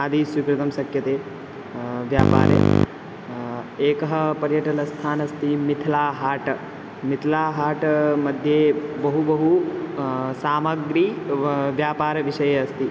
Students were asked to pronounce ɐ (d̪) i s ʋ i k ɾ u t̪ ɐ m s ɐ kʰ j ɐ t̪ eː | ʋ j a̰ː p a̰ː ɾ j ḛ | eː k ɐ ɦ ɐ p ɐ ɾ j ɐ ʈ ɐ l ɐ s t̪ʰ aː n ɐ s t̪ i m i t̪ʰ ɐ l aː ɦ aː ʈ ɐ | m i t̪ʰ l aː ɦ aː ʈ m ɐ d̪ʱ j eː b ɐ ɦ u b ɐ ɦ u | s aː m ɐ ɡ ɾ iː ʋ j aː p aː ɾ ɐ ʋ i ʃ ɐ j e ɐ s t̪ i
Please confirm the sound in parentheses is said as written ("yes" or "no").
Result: yes